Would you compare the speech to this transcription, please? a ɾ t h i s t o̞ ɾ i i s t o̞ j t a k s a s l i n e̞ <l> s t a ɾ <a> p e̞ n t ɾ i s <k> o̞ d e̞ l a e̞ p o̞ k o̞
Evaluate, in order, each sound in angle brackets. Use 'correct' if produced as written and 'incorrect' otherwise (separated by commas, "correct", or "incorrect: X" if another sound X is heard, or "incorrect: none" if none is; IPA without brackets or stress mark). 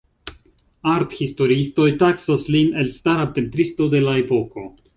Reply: correct, correct, incorrect: t